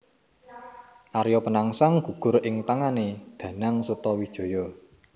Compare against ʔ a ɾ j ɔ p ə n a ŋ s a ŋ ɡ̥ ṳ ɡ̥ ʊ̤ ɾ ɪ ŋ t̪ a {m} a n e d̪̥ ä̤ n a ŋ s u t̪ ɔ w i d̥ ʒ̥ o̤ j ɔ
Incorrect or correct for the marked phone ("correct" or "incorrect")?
incorrect